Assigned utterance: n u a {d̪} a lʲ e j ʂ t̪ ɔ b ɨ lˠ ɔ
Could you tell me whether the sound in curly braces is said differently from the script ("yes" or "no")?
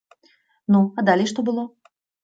no